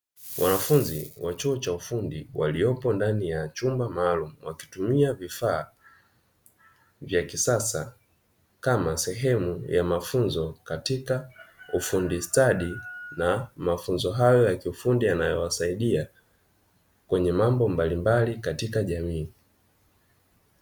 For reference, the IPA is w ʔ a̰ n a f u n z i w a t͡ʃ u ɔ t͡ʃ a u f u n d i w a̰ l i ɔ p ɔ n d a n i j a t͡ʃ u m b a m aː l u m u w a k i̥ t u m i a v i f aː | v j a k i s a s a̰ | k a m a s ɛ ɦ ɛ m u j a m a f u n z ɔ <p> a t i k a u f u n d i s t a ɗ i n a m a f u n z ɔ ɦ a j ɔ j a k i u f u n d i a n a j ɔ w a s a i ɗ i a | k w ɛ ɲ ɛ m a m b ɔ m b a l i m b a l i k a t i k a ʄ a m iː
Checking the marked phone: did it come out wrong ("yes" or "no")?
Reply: yes